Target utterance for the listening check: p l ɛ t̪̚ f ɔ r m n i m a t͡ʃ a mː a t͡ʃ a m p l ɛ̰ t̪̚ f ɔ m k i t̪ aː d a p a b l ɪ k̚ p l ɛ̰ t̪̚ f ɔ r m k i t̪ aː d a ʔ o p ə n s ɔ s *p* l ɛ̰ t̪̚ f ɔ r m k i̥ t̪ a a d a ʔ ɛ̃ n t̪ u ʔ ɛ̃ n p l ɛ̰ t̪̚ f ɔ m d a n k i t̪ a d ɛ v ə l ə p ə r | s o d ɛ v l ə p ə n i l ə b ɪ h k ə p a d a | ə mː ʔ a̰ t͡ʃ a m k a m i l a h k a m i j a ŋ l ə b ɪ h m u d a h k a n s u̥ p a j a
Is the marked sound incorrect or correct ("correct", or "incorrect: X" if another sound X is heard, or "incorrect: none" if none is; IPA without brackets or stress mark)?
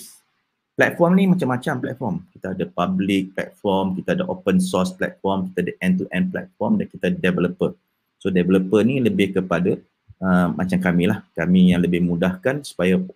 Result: correct